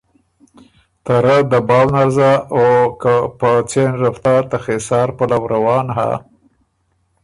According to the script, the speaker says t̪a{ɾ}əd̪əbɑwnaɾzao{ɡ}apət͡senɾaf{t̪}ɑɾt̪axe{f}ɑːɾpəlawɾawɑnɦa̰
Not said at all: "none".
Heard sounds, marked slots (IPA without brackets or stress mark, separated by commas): ɾ, k, t̪, s